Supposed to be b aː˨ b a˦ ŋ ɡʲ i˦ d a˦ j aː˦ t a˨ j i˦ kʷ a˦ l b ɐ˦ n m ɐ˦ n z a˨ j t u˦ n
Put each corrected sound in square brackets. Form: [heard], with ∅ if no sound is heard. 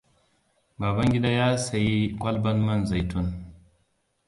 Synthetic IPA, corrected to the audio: b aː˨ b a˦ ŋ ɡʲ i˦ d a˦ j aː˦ [s] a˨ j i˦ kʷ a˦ l b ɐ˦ n m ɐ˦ n z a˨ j t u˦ n